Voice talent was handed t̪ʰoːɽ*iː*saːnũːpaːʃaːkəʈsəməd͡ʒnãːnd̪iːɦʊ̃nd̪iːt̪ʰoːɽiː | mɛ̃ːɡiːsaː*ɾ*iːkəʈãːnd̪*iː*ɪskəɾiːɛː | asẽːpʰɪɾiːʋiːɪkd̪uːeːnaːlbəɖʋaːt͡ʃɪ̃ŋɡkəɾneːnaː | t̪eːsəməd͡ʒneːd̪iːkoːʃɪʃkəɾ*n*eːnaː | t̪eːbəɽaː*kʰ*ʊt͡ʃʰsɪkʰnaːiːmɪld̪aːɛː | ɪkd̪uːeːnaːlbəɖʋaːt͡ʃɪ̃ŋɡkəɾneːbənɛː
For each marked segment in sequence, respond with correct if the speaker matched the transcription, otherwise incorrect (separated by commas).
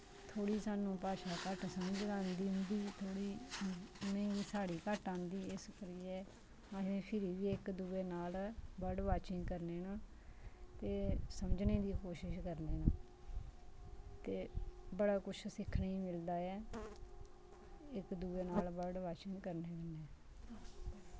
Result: correct, incorrect, correct, correct, incorrect